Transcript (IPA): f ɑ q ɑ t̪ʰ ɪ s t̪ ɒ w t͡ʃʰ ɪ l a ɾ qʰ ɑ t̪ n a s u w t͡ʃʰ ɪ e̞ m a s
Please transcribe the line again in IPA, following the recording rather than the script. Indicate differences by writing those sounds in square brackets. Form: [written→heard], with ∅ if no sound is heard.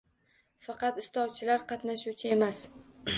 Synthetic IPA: f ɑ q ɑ [t̪ʰ→t̪] ɪ s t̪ ɒ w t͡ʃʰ ɪ l a ɾ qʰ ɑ t̪ n a [s→ʃ] u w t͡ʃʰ ɪ e̞ m a s